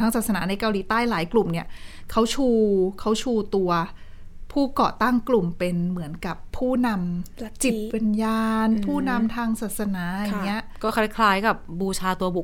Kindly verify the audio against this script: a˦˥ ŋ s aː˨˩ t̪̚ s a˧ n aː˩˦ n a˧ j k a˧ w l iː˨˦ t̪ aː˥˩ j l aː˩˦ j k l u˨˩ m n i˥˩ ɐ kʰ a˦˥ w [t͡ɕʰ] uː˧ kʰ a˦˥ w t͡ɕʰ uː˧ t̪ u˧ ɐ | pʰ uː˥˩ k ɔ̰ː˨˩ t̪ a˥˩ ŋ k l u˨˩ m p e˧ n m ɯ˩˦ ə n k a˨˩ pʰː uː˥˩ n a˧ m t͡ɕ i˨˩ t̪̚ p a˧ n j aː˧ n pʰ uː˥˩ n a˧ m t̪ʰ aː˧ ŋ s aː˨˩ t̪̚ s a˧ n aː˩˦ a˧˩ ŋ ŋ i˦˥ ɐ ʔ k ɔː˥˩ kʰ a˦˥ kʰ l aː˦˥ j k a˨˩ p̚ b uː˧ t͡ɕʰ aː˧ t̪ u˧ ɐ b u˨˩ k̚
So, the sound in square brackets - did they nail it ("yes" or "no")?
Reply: yes